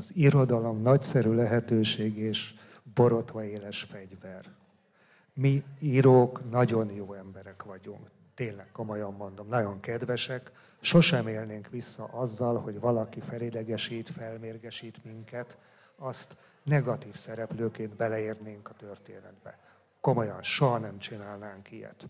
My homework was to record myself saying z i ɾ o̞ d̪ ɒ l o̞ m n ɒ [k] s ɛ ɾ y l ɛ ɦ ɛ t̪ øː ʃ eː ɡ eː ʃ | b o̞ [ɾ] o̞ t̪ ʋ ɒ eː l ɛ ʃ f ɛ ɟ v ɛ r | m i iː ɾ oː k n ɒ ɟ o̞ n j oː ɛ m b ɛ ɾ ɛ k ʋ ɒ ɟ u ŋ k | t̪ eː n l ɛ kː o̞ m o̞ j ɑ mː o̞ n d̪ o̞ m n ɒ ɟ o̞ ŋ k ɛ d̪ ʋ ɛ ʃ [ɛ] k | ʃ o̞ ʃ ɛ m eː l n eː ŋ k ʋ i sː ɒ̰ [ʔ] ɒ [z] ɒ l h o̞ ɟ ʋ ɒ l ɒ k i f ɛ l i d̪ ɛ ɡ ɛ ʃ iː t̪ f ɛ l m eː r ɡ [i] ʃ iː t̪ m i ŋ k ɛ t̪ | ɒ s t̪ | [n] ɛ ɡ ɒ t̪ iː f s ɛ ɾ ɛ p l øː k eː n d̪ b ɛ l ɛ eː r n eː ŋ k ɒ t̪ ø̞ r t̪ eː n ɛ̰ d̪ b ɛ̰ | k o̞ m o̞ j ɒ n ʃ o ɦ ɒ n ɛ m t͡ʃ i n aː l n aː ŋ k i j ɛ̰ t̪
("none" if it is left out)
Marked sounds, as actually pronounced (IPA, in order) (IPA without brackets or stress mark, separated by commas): c, ɾ, ɛ, ʔ, zː, ɛ, n